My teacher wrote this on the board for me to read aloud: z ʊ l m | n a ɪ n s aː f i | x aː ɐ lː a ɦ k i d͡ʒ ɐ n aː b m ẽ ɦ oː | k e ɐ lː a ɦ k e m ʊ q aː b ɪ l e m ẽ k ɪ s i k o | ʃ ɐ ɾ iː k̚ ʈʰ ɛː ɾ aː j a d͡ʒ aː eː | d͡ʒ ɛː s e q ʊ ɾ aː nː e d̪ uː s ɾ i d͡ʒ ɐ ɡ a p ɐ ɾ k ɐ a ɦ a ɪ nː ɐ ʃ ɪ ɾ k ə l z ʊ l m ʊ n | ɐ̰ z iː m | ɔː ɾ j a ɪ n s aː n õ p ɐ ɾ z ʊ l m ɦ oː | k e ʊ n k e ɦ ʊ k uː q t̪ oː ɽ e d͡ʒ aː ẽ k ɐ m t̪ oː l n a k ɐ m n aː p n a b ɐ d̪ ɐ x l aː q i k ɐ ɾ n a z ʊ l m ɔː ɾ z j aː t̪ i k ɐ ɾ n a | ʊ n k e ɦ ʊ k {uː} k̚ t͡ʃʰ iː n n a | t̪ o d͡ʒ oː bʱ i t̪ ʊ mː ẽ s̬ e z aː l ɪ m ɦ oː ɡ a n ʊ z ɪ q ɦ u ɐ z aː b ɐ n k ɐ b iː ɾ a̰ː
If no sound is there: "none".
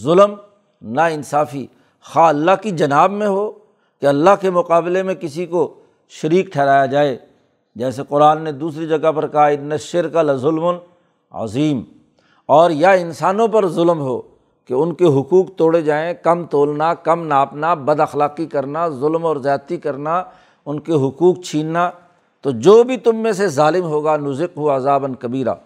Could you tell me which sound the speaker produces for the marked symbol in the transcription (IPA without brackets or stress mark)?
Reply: uː